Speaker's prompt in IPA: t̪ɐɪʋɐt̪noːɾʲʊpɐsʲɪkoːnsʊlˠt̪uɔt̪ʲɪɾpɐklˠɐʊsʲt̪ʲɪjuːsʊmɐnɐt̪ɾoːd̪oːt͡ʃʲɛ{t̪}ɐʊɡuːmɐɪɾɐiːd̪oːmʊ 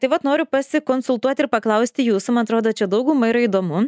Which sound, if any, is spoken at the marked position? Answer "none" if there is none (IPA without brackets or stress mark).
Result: d̪